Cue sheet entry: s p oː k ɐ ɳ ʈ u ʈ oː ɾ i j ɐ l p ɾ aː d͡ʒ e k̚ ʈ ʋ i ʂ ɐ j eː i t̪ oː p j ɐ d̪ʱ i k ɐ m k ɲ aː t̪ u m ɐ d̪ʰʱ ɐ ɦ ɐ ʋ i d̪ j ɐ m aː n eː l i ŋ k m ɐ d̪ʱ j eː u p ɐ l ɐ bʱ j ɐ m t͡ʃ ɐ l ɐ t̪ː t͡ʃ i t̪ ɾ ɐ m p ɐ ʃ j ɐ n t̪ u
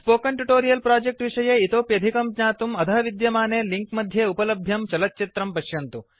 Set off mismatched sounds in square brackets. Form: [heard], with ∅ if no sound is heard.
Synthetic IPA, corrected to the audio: s p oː k ɐ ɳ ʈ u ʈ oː ɾ i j ɐ l p ɾ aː d͡ʒ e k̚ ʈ ʋ i ʂ ɐ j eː i t̪ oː p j ɐ d̪ʱ i k ɐ m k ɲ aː t̪ u m ɐ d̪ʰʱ ɐ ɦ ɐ ʋ i d̪ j ɐ m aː n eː l i ŋ k m ɐ d̪ʱ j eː u p ɐ l ɐ bʱ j ɐ m t͡ʃ ɐ l ɐ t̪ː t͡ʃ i t̪ ɾ ɐ m p ɐ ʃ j ɐ n t̪ u